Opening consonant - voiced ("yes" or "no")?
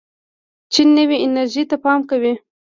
no